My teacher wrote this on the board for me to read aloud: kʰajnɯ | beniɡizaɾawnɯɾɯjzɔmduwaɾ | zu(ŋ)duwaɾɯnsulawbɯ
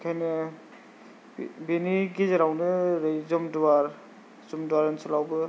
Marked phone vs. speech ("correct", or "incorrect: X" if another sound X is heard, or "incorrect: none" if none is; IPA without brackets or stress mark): incorrect: m